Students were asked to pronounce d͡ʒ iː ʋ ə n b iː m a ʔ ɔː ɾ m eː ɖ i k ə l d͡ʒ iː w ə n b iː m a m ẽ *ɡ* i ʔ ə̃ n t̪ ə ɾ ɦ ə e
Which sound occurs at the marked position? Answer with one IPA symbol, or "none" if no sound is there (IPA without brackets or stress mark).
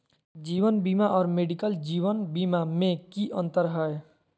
k